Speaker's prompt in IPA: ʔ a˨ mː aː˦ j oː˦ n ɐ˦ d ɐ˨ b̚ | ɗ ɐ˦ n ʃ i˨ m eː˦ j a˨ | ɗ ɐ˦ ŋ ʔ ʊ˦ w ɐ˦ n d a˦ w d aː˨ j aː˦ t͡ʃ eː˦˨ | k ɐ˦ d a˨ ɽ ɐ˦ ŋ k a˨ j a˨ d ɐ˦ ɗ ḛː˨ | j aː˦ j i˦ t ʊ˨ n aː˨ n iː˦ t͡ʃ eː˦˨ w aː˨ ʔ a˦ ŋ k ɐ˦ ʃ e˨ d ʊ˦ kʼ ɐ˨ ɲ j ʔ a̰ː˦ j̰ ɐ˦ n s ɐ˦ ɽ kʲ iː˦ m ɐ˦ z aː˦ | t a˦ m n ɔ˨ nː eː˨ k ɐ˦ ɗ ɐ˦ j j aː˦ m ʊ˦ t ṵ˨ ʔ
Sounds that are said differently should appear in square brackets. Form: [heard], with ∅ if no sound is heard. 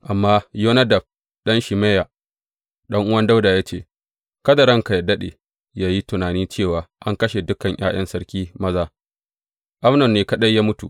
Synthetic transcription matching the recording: ʔ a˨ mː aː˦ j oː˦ n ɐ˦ d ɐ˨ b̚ | ɗ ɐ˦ n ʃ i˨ m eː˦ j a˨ | ɗ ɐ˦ ŋ ʔ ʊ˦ w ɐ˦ n d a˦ w d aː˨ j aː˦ t͡ʃ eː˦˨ | k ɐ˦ d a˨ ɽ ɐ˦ ŋ k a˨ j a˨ d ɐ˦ ɗ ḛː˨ | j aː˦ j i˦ t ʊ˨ n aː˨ n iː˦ t͡ʃ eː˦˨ w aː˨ ʔ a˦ ŋ k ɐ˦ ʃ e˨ d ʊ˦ [k] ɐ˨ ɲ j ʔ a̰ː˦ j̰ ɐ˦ n s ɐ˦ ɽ kʲ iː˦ m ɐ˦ z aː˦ | [ʔ] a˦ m n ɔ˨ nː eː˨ k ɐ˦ ɗ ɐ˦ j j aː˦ m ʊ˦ t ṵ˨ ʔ